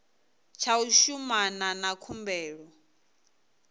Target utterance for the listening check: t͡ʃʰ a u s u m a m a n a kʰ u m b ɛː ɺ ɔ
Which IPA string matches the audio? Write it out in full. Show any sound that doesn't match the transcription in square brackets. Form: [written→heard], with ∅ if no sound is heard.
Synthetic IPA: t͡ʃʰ a u [s→ʃ] u m a [m→n] a n a kʰ u m b ɛː ɺ ɔ